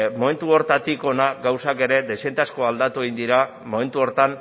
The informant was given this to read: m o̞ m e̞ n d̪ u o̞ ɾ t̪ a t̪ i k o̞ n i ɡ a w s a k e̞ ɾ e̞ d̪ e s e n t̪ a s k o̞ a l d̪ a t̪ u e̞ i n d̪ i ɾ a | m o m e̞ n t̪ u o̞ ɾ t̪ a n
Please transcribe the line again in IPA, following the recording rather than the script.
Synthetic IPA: m o̞ m e̞ n t̪ u o̞ ɾ t̪ a t̪ i k o̞ n a ɡ a w s a k e̞ ɾ e̞ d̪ e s e n t̪ a s k o̞ a l d̪ a t̪ u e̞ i n d̪ i ɾ a | m o m e̞ n t̪ u o̞ ɾ t̪ a n